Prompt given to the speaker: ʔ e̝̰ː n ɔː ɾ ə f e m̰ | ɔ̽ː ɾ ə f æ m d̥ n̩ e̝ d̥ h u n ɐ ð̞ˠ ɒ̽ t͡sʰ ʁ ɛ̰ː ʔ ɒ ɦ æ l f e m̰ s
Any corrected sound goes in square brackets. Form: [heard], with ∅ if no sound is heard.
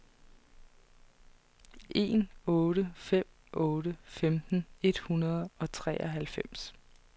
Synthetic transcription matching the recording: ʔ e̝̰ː n ɔː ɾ ə f e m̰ | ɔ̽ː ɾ ə f [e] m d̥ n̩ e̝ d̥ h u n ɐ ð̞ˠ ɒ̽ t͡sʰ ʁ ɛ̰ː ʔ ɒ ɦ æ l f e m̰ s